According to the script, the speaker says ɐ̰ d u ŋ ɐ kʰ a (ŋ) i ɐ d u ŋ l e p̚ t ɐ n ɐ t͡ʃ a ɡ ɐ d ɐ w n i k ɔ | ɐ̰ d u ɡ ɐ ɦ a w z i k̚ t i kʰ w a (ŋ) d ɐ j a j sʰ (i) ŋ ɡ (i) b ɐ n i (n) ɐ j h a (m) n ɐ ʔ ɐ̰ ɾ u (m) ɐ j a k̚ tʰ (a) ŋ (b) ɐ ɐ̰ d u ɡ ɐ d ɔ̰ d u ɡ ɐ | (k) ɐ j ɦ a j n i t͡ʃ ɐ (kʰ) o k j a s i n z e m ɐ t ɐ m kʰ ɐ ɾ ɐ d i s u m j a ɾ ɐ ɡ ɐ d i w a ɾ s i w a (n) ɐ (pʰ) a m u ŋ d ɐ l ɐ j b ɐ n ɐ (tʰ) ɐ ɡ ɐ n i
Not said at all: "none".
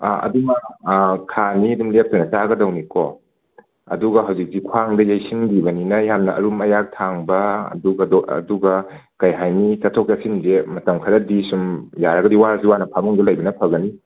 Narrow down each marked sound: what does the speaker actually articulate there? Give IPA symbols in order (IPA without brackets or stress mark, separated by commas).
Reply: n, ŋ, i, i, n, m, m, a, b, k, tʰ, n, pʰ, pʰ